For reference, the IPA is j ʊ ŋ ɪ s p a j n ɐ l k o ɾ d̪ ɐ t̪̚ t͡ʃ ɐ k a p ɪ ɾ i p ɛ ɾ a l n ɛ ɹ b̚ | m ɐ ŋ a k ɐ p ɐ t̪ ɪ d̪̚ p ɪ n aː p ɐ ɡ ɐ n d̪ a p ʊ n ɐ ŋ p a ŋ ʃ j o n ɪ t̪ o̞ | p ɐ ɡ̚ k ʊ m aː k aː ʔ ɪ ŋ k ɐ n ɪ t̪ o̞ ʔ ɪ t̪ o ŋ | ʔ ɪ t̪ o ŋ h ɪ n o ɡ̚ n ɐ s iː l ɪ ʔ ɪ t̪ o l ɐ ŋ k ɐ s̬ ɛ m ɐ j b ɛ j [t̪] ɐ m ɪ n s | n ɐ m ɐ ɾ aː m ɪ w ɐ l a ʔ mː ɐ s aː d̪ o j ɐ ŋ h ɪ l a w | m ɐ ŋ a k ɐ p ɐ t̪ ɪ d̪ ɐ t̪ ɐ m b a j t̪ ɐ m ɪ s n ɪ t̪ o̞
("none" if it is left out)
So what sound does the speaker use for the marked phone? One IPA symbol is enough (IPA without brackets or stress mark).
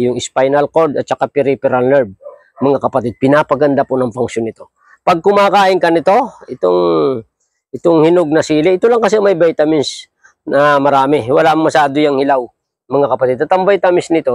t̪